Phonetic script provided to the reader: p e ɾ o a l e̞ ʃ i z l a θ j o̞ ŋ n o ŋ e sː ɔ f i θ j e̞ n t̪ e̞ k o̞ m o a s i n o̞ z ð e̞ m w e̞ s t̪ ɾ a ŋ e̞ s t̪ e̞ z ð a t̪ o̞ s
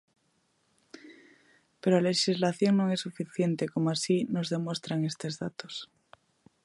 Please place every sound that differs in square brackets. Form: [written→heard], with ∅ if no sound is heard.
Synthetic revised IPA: p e ɾ o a l e̞ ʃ i z l a θ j o̞ ŋ n o ŋ e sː [ɔ→u] f i θ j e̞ n t̪ e̞ k o̞ m o a s i n o̞ z ð e̞ m w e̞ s t̪ ɾ a ŋ e̞ s t̪ e̞ z ð a t̪ o̞ s